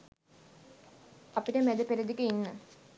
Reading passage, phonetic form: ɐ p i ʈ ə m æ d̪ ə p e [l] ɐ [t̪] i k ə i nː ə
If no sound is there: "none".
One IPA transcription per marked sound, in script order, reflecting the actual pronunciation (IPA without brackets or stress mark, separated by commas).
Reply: ɾ, d̪